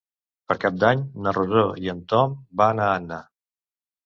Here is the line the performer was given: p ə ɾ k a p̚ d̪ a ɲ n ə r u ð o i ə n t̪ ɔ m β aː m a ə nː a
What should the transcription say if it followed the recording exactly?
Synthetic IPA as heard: p ə ɾ k a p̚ d̪ a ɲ n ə r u z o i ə n t̪ ɔ m b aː n a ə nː a